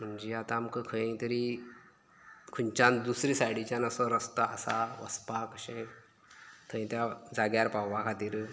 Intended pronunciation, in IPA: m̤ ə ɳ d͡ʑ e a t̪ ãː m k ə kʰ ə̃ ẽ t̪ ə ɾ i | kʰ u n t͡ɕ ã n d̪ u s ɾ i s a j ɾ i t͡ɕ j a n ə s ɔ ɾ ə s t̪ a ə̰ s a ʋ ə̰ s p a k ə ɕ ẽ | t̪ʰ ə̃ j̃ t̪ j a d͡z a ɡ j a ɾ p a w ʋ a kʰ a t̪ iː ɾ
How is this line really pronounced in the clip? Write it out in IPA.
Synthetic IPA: m̤ ə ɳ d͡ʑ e a t̪ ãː m k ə kʰ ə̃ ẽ t̪ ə ɾ i | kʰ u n t͡ɕ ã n d̪ u s ɾ i s a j ɽ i t͡ɕ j a n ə s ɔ ɾ ə s t̪ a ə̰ s a ʋ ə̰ s p a k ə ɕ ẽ | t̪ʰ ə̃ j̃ t̪ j a d͡z a ɡ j a ɾ p a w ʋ a kʰ a t̪ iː ɾ